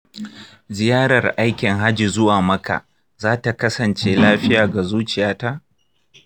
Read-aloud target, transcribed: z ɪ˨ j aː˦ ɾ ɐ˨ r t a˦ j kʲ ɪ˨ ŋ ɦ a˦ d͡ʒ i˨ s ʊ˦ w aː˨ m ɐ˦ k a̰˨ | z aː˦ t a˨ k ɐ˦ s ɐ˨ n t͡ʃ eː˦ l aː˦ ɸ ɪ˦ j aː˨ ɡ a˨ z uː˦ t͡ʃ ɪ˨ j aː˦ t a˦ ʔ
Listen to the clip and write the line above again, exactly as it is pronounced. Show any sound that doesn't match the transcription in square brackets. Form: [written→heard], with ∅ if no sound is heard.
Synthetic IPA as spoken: z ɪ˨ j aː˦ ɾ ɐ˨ r [t→ʔ] a˦ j kʲ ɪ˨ ŋ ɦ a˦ d͡ʒ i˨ [s→z] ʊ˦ w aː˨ m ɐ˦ k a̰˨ | z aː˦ t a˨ k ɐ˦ s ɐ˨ n t͡ʃ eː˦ l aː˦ ɸ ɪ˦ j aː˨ ɡ a˨ z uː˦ t͡ʃ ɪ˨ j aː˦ t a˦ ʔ